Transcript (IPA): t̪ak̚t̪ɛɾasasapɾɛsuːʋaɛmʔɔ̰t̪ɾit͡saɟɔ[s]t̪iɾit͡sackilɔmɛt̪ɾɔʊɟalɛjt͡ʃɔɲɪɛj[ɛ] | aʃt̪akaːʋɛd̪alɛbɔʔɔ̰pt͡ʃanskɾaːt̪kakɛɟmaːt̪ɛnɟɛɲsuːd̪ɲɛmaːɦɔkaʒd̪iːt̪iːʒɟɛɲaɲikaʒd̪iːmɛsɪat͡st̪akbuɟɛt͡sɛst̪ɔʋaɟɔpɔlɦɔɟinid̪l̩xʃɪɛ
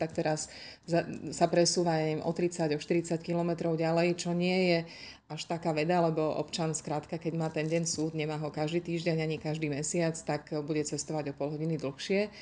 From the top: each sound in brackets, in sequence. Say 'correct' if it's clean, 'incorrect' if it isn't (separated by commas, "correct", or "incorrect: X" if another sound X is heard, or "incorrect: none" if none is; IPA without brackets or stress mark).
incorrect: ʃ, correct